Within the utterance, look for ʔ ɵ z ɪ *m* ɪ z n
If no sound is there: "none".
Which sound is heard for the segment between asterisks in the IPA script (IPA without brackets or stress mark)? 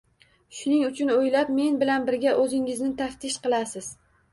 ŋ